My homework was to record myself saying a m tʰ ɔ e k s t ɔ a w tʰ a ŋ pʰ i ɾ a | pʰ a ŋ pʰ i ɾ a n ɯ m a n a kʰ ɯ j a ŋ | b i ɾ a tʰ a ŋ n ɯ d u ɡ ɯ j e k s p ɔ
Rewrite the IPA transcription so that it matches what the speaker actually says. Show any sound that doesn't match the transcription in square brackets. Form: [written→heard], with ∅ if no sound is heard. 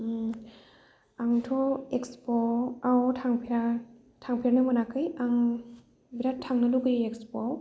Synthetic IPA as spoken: a [m→ŋ] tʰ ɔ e k s [t→p] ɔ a w tʰ a ŋ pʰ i ɾ a | [pʰ→tʰ] a ŋ pʰ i ɾ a n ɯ m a n a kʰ ɯ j a ŋ | b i ɾ a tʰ a ŋ n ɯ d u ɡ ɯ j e k s p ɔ

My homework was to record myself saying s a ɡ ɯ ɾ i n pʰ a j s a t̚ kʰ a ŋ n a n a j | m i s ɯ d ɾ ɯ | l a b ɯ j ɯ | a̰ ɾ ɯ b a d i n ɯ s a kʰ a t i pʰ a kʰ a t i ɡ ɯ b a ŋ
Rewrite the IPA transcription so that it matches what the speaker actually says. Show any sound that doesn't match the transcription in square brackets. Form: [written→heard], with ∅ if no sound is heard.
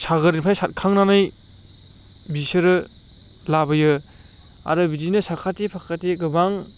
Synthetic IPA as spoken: s a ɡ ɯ ɾ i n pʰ a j s a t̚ kʰ a ŋ n a n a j | [m→b] i s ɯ [d→∅] ɾ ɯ | l a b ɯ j ɯ | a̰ ɾ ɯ b [a→i] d i n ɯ s a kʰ a t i pʰ a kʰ a t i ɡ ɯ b a ŋ

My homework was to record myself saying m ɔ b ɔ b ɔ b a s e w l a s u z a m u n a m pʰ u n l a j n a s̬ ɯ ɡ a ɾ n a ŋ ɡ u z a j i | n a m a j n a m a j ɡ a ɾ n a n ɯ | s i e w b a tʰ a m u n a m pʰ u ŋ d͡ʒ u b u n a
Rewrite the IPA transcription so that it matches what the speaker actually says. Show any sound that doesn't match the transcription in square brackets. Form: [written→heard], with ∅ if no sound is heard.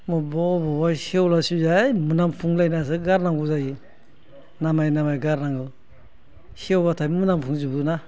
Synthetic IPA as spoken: m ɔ b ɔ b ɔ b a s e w l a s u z a m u n a m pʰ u [n→ŋ] l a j n a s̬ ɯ ɡ a ɾ n a ŋ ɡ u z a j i | n a m a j n a m a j ɡ a ɾ n a [n→ŋ] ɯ | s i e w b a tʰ a m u n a m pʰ u ŋ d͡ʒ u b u n a

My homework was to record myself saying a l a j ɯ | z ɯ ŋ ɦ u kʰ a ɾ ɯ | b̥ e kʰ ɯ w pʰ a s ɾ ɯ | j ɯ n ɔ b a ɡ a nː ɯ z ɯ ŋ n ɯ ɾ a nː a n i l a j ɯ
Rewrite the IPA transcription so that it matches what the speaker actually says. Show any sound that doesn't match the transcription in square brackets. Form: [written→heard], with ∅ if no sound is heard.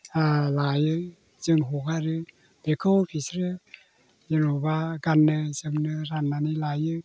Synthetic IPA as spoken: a l a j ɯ | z ɯ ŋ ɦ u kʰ a ɾ ɯ | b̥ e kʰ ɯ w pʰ [a→i] s ɾ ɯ | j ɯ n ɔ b a ɡ a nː ɯ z ɯ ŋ n ɯ ɾ a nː a n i l a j ɯ

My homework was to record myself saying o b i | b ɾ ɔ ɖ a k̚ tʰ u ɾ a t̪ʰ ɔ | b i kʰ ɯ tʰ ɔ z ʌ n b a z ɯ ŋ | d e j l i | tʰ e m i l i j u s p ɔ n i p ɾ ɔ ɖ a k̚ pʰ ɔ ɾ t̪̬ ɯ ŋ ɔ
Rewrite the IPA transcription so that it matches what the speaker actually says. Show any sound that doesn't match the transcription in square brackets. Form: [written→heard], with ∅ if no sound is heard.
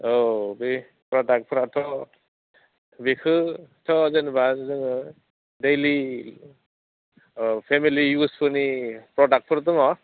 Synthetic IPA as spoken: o b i | [b→p] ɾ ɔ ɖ a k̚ [tʰ→pʰ] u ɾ a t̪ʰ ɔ | b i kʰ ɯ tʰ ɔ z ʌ n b a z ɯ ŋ | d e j l i | [tʰ→pʰ] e m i l i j u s p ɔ n i p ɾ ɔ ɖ a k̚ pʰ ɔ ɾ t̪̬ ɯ ŋ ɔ

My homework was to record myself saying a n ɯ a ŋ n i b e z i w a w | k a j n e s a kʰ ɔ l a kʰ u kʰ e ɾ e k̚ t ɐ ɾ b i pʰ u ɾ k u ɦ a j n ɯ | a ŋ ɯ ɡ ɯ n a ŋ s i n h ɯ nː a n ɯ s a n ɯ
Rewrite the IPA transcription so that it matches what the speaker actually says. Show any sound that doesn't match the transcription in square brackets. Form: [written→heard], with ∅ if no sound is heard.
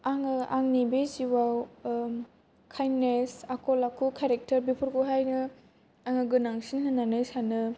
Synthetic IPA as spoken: a [n→ŋ] ɯ a ŋ n i b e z i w a w | [k→kʰ] a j n e s a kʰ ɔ l a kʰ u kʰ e ɾ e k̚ t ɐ ɾ b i pʰ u ɾ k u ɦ a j n ɯ | a ŋ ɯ ɡ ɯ n a ŋ s i n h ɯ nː a n ɯ s a n ɯ

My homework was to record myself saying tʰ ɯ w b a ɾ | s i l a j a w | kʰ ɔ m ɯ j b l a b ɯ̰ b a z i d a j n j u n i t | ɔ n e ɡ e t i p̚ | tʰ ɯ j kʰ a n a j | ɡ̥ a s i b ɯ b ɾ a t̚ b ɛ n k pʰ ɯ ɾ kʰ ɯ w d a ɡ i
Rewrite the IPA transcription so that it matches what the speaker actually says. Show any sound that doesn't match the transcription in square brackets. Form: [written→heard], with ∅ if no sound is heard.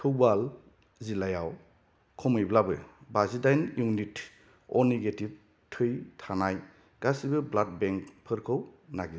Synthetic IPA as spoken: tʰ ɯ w b a [ɾ→l] | [s→z] i l a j a w | kʰ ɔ m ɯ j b l a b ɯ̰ b a z i d a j n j u n i t | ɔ n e ɡ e t i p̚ | tʰ ɯ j [kʰ→tʰ] a n a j | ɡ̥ a s i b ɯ b [ɾ→l] a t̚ b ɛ [n→ŋ] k pʰ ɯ ɾ kʰ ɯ w [d→n] a ɡ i

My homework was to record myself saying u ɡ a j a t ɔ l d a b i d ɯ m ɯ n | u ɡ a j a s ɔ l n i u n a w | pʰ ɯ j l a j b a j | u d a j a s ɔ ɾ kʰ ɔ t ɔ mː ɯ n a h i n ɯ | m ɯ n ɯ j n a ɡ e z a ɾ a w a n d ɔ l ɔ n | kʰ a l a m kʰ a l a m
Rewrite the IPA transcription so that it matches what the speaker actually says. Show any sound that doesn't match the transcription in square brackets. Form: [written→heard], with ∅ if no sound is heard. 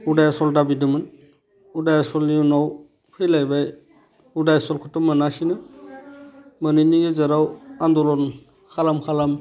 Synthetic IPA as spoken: u [ɡ→d] a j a [t→s] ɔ l d a b i d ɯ m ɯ n | u [ɡ→d] a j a s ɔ l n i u n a w | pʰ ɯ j l a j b a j | u d a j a s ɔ [ɾ→l] kʰ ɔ t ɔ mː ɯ n a [h→s] i n ɯ | m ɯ n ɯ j n [a→i] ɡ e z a ɾ a w a n d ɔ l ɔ n | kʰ a l a m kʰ a l a m

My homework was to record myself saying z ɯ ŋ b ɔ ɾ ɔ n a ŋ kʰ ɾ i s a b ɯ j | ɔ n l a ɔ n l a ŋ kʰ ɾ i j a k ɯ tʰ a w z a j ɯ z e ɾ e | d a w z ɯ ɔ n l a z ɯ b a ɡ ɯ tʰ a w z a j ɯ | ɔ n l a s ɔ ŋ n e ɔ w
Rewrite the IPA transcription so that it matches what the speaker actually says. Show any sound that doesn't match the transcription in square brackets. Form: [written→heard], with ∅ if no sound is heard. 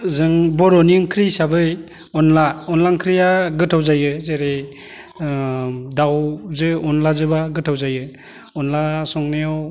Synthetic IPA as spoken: z ɯ ŋ b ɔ ɾ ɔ n [a→i] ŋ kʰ ɾ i s a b ɯ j | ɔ n l a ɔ n l a ŋ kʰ ɾ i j a [k→ɡ] ɯ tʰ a w z a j ɯ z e ɾ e | d a w z ɯ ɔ n l a z ɯ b a ɡ ɯ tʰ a w z a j ɯ | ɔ n l a s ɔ ŋ n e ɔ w

